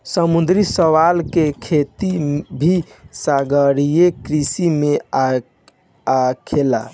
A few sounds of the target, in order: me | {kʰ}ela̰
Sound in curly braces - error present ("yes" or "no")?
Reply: no